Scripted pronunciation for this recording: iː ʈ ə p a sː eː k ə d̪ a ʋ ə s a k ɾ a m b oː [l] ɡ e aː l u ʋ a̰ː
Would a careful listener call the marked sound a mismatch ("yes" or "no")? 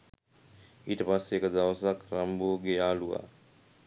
yes